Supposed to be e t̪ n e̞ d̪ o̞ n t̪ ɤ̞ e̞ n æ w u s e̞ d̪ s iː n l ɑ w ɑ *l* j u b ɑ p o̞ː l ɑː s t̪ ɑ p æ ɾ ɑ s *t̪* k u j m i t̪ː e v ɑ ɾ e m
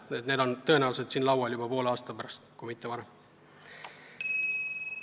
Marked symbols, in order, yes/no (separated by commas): yes, yes